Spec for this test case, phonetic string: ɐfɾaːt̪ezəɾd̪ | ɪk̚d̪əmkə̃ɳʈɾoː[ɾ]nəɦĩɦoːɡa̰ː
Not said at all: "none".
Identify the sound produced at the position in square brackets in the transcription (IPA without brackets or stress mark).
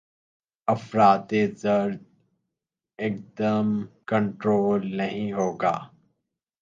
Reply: l